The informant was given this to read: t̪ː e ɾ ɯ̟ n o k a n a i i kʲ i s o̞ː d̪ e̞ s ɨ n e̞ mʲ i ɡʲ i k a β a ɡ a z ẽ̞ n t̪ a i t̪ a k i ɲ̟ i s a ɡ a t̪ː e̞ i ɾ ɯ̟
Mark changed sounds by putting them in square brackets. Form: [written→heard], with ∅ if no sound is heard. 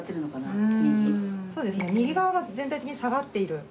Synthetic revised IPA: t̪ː e ɾ ɯ̟ n o k a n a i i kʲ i s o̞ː d̪ e̞ s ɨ n e̞ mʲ i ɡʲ i [k→ɡ] a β a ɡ a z ẽ̞ n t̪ a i t̪ [a→e] k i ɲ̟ i s a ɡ a t̪ː e̞ i ɾ ɯ̟

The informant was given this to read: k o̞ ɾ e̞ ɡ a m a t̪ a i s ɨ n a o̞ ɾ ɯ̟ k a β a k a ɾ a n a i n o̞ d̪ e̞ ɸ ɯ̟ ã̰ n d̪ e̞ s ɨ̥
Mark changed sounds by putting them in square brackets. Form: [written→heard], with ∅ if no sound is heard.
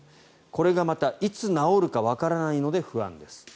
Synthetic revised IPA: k o̞ ɾ e̞ ɡ a m a t̪ a i [s→t͡s] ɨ n a o̞ ɾ ɯ̟ k a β a k a ɾ a n a i n o̞ d̪ e̞ ɸ ɯ̟ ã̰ n d̪ e̞ s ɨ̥

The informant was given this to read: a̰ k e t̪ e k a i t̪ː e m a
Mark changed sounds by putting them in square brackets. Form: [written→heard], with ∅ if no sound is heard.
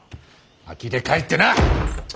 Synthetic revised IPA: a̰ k [e→i] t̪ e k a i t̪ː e [m→n] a

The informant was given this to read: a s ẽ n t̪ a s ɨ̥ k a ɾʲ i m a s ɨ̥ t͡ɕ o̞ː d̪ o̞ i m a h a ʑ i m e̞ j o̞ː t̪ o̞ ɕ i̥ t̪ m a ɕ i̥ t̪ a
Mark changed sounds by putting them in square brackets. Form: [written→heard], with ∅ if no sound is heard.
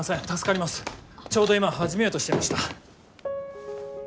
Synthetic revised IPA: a s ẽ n t̪ a s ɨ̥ k a ɾʲ i m a s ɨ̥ t͡ɕ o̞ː d̪ o̞ i m a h a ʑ i m e̞ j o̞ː t̪ o̞ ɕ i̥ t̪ m a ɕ i̥ t̪ a

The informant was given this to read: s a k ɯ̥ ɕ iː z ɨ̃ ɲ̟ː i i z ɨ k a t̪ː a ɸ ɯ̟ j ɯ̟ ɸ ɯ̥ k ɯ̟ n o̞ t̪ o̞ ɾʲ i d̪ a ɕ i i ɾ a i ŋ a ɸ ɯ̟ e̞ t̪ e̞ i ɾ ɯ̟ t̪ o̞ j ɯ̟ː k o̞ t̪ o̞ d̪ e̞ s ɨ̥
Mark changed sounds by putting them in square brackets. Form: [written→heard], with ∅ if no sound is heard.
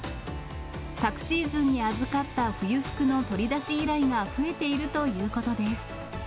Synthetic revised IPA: s a k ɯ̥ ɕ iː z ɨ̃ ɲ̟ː i [i→a] z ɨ k a t̪ː a ɸ ɯ̟ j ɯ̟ ɸ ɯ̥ k ɯ̟ n o̞ t̪ o̞ ɾʲ i d̪ a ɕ i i ɾ a i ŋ a ɸ ɯ̟ e̞ t̪ e̞ i ɾ ɯ̟ t̪ o̞ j ɯ̟ː k o̞ t̪ o̞ d̪ e̞ s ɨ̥

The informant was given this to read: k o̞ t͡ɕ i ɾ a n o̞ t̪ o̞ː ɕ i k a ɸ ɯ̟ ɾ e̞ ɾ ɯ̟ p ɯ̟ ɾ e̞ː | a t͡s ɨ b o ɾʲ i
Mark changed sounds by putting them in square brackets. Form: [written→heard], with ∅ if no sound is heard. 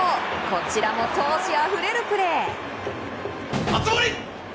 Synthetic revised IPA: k o̞ t͡ɕ i ɾ a [n→m] o̞ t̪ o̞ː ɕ i [k→∅] a ɸ ɯ̟ ɾ e̞ ɾ ɯ̟ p ɯ̟ ɾ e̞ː | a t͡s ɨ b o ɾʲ i

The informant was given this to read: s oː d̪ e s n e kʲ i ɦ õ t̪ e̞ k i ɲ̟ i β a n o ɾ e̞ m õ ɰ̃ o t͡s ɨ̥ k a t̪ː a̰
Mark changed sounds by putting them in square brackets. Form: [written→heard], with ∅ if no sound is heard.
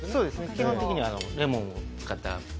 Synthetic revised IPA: s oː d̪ e s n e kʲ i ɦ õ t̪ e̞ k i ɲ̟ i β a n o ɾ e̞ m õ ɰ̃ o t͡s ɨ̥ k a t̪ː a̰

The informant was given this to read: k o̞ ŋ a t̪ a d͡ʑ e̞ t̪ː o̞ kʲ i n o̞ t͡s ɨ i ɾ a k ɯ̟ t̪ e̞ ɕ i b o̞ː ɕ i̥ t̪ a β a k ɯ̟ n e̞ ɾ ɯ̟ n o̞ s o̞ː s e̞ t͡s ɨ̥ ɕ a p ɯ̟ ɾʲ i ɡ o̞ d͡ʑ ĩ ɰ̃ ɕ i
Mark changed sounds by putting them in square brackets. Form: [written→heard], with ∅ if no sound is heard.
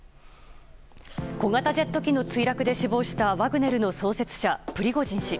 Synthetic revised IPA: k o̞ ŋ a t̪ a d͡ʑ e̞ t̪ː o̞ kʲ i n o̞ t͡s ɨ i ɾ a k ɯ̟ [t̪→d̪] e̞ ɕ i b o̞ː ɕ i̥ t̪ a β a [k→ɡ] ɯ̟ n e̞ ɾ ɯ̟ n o̞ s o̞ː s e̞ t͡s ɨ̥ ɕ a p ɯ̟ ɾʲ i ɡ o̞ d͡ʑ ĩ ɰ̃ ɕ i

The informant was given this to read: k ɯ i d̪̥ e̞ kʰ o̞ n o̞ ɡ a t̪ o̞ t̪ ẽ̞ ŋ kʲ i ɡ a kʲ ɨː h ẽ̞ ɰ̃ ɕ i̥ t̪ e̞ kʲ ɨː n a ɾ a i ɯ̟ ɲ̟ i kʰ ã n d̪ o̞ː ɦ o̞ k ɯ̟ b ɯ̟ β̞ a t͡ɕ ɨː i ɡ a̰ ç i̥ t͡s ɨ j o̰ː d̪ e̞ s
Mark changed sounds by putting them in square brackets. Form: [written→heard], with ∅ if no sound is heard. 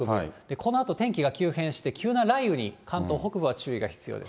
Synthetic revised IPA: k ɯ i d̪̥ e̞ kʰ o̞ n o̞ [ɡ→∅] a t̪ o̞ t̪ ẽ̞ ŋ kʲ i ɡ a kʲ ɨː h ẽ̞ ɰ̃ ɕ i̥ t̪ e̞ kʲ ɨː n a ɾ a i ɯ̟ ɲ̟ i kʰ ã n [d̪→t̪] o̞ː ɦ o̞ k ɯ̟ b ɯ̟ β̞ a t͡ɕ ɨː i ɡ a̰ ç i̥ t͡s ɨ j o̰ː d̪ e̞ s

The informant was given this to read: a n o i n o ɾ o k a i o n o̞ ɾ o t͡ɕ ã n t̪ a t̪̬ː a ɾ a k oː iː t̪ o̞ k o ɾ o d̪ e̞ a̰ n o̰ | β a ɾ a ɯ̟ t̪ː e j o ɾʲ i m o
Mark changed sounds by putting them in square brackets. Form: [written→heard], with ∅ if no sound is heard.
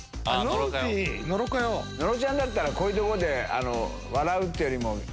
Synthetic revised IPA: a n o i n o ɾ o k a [i→j] o n o̞ ɾ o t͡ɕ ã n [t̪→d̪] a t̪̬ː a ɾ a k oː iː t̪ o̞ k o ɾ o d̪ e̞ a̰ n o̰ | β a ɾ a ɯ̟ t̪ː e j o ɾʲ i m o

